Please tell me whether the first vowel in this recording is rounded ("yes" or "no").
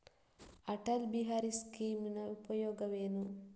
no